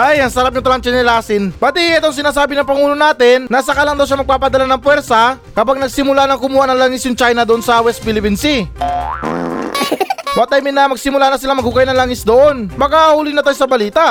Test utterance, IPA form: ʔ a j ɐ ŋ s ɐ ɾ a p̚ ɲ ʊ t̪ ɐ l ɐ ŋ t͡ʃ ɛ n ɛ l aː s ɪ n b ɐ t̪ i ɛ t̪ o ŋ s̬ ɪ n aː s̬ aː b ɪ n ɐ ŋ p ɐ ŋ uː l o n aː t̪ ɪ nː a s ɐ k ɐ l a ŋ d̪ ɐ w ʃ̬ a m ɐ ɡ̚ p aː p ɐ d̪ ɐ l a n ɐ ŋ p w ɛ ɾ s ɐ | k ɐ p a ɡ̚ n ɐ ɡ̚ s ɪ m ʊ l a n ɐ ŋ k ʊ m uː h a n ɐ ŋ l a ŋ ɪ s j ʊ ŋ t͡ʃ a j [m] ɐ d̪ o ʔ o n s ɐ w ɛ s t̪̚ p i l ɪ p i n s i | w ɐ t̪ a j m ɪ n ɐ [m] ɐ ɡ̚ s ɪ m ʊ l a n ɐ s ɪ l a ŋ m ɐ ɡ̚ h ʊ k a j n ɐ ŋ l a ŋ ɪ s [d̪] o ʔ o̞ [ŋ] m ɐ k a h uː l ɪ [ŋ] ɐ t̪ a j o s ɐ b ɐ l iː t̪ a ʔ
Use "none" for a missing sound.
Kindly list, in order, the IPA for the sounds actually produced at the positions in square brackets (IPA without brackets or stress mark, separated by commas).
n, m, d̪, n, n